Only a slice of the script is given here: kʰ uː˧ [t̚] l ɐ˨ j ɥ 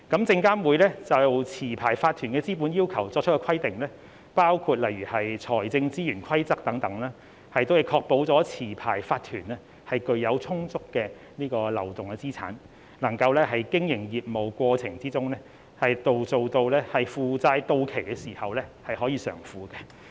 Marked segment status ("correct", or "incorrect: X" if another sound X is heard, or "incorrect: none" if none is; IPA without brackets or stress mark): correct